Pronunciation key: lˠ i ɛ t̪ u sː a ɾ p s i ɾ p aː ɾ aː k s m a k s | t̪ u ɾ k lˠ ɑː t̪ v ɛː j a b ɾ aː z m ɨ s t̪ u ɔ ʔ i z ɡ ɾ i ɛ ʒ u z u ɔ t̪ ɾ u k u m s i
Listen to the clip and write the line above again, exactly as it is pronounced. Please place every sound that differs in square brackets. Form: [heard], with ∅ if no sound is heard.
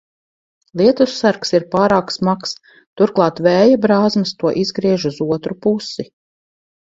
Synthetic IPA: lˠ i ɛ t̪ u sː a ɾ [k] s i ɾ p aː ɾ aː k s m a k s | t̪ u ɾ k lˠ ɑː t̪ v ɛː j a b ɾ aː z m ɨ s t̪ u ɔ ʔ i z ɡ ɾ i ɛ ʒ u z u ɔ t̪ ɾ u [p] u [∅] s i